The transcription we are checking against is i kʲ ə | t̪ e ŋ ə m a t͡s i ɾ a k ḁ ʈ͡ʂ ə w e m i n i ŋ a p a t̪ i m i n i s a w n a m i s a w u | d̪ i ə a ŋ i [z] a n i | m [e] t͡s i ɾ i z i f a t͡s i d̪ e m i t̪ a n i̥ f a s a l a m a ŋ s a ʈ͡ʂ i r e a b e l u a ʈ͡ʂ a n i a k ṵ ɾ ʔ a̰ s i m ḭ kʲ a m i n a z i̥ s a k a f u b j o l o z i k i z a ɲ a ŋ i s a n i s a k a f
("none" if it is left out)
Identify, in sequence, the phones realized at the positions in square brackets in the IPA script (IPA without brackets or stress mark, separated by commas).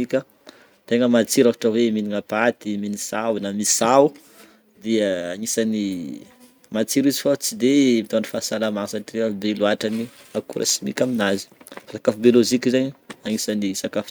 s, a